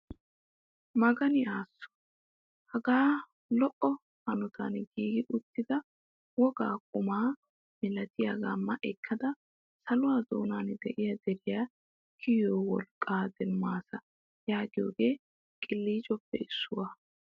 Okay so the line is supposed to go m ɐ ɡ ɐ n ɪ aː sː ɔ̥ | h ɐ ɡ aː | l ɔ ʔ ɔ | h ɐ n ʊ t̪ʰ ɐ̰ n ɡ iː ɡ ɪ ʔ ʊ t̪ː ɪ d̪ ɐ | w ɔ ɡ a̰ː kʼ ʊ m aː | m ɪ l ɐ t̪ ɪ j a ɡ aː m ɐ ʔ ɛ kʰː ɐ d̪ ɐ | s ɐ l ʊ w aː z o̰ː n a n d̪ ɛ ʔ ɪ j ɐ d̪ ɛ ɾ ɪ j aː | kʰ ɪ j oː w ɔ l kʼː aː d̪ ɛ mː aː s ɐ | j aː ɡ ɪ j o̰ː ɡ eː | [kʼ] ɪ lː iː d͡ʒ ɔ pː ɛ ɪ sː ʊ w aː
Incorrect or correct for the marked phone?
correct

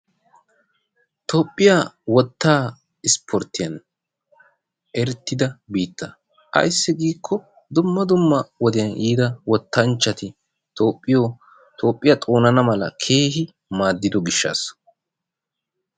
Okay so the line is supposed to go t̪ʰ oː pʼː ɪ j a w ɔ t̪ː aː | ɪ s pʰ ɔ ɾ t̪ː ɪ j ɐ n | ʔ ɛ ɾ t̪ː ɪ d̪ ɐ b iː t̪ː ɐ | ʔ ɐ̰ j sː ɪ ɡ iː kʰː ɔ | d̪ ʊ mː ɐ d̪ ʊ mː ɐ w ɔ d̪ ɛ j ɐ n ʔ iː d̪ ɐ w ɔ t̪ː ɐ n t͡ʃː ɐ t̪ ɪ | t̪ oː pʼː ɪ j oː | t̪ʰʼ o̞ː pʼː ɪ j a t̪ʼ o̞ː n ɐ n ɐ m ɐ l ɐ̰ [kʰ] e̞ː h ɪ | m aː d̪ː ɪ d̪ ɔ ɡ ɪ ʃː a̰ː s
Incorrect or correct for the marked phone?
correct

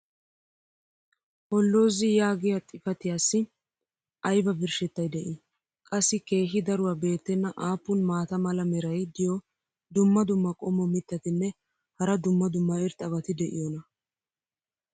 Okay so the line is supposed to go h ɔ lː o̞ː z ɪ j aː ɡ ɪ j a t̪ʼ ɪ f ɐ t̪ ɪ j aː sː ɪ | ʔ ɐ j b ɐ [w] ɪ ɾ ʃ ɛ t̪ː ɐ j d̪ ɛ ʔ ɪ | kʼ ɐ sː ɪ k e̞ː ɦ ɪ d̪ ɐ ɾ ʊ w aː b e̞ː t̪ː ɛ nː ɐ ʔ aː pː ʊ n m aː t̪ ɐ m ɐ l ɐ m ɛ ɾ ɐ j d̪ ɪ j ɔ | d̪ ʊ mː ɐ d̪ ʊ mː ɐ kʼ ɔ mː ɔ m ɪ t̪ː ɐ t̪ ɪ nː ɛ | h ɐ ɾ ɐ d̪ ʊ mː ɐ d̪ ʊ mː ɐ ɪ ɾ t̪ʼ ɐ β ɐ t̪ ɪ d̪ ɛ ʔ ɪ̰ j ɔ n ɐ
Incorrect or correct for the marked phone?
incorrect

